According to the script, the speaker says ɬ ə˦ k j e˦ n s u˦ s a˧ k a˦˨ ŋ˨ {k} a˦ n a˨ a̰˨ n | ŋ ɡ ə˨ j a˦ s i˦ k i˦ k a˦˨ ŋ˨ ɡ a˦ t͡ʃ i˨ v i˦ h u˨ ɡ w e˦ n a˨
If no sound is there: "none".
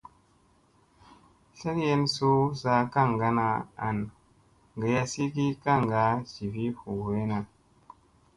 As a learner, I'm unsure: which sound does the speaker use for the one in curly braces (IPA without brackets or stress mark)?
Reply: ɡ